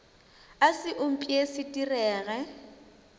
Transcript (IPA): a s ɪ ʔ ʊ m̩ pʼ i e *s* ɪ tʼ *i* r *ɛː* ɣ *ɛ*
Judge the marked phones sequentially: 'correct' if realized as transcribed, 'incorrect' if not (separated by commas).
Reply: correct, correct, correct, correct